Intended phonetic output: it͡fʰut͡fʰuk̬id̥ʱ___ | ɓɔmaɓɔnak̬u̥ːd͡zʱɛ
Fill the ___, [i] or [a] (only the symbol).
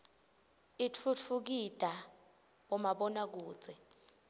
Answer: a